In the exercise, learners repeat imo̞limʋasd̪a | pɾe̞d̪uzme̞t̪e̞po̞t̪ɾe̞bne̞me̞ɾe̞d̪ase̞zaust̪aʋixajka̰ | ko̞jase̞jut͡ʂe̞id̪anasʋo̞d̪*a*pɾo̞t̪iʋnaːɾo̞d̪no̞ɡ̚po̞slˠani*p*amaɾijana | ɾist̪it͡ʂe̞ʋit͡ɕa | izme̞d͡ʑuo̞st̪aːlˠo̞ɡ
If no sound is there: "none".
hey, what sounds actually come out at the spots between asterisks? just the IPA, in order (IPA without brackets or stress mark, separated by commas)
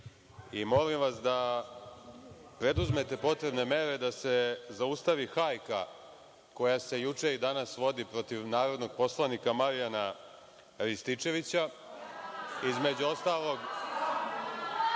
i, k